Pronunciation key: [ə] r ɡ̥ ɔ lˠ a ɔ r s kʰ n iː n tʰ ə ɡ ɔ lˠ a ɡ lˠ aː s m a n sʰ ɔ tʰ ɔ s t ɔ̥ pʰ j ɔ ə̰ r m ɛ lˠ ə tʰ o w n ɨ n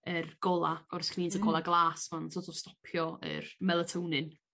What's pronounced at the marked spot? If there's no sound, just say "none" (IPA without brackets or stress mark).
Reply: ə